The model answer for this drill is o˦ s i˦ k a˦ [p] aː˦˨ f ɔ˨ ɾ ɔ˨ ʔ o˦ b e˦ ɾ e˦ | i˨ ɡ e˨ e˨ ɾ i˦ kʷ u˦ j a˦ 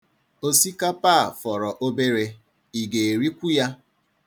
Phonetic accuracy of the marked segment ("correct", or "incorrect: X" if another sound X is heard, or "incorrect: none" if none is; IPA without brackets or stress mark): correct